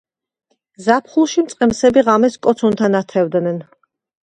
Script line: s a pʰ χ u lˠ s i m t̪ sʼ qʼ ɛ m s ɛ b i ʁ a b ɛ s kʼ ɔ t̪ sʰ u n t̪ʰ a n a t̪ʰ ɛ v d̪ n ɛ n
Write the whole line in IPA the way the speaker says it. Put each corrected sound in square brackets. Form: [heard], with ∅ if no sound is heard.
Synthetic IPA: [z] a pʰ χ u lˠ [ʃ] i m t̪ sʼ qʼ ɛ m s ɛ b i ʁ a [m] ɛ s kʼ ɔ t̪ sʰ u n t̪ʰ a n a t̪ʰ ɛ v d̪ n ɛ n